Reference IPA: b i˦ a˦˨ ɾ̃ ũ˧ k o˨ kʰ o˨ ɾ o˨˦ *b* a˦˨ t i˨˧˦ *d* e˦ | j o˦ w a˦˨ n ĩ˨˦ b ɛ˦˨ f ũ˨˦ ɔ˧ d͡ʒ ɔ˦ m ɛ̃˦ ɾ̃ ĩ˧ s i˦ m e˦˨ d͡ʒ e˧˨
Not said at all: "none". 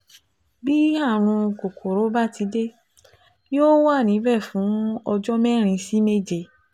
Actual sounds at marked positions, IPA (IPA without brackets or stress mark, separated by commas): b, d